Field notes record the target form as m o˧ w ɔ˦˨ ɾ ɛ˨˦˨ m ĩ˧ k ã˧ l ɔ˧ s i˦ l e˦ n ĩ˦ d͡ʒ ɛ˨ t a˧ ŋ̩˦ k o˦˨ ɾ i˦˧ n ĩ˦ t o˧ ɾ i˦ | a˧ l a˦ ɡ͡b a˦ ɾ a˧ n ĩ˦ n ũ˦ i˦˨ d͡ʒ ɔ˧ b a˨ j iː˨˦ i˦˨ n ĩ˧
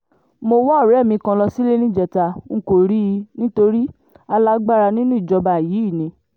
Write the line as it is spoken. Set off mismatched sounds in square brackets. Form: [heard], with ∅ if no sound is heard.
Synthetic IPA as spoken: m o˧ w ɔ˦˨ ɾ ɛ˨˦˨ m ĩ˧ k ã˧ l ɔ˧ s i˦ l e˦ n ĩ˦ d͡ʒ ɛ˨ t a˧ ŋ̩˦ k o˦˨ ɾ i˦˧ n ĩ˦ t o˧ ɾ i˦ | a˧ l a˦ ɡ͡b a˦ ɾ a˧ n ĩ˦ n ũ˦ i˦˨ d͡ʒ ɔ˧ b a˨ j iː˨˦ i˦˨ n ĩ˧

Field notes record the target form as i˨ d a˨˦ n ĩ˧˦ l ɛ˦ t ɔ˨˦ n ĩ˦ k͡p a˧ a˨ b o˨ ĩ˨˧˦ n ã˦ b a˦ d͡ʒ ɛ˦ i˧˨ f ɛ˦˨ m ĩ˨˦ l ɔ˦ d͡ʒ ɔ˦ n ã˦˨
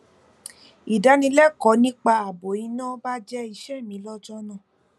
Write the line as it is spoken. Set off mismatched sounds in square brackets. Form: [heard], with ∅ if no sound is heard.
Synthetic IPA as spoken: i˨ d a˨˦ n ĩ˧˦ l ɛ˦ [k] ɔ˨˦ n ĩ˦ k͡p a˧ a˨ b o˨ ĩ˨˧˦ n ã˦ b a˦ d͡ʒ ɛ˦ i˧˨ [ʃ] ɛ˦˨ m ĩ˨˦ l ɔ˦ d͡ʒ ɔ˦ n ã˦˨

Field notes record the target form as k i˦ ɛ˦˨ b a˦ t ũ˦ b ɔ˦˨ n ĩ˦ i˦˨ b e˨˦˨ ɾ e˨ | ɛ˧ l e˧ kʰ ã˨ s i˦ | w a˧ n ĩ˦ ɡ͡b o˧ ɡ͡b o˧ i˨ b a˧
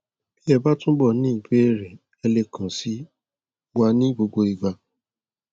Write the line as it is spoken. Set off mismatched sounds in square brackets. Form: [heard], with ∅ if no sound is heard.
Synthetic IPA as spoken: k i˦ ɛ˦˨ b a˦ t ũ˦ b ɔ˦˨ n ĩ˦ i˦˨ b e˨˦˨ ɾ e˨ | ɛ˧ l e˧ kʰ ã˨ s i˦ | w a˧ n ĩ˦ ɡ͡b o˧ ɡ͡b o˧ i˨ [ɡ͡b] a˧

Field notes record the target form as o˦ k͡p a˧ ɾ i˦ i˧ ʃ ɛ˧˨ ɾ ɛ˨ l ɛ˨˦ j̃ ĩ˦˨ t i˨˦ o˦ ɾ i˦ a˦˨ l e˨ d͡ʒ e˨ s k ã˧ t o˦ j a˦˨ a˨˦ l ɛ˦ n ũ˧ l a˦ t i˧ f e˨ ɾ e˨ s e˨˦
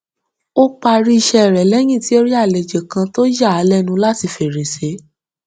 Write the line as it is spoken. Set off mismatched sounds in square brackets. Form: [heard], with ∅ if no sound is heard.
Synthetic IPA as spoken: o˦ k͡p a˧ ɾ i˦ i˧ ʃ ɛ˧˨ ɾ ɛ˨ l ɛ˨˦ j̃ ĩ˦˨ t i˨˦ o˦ ɾ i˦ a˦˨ l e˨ d͡ʒ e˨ [∅] k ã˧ t o˦ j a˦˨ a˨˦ l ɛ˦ n ũ˧ l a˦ t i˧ f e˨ ɾ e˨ s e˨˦

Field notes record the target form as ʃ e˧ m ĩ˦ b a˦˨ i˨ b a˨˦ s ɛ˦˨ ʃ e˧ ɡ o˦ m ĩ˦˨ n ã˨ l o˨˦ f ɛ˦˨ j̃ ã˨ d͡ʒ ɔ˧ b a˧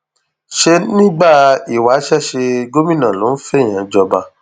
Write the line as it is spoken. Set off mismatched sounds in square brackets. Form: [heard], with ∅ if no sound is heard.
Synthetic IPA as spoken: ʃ e˧ [n] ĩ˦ [ɡ͡b] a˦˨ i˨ [w] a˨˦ [ʃ] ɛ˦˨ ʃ e˧ ɡ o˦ m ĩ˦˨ n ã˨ l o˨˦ f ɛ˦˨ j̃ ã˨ d͡ʒ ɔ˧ b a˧

